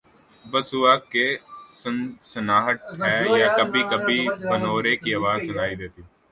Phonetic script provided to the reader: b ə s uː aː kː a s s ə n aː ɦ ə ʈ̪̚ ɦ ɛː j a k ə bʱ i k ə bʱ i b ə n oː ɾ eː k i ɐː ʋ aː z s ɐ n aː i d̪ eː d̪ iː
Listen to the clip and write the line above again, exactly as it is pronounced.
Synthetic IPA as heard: b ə s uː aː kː e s s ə n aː ɦ ə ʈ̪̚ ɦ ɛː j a k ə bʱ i k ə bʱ i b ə n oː ɾ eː k i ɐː ʋ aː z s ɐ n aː i d̪ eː t̪ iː